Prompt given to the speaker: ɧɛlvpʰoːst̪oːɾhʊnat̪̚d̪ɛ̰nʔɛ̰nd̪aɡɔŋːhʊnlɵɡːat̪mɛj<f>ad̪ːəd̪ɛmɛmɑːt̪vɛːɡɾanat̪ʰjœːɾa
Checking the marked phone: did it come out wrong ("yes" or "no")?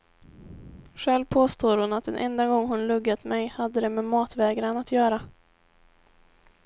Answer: yes